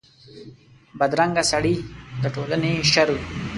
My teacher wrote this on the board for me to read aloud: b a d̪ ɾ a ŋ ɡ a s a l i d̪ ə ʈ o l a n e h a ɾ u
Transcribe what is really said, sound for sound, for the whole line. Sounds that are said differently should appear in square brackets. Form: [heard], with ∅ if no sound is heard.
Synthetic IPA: b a d̪ ɾ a ŋ ɡ a s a [ɽ] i d̪ ə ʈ o l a n e [ʃ] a ɾ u